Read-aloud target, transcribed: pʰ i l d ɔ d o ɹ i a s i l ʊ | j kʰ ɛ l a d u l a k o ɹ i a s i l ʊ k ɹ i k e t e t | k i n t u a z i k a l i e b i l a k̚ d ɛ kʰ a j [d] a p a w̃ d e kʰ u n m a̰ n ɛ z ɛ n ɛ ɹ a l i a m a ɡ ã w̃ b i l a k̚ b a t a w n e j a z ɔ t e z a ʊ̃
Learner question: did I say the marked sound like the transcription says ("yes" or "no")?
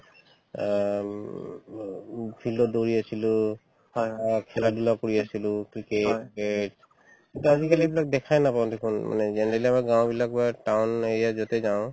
no